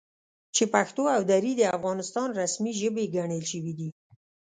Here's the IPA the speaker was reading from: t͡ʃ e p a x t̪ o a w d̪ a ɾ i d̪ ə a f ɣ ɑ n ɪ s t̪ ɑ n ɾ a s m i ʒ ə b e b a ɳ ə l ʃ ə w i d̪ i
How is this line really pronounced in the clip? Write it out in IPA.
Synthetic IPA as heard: t͡ʃ e p a x t̪ o a w d̪ a ɾ i d̪ ə a f ɣ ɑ n ɪ s t̪ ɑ n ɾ a s m i ʒ ə b e ɡ a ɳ ə l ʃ ə w i d̪ i